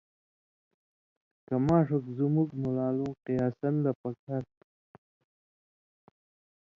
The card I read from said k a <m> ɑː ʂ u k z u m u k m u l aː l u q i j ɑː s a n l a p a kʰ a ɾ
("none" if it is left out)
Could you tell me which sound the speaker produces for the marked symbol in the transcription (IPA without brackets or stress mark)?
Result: m